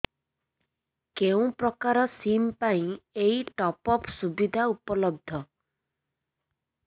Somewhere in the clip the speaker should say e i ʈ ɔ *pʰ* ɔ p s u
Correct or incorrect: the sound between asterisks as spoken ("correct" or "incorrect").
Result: incorrect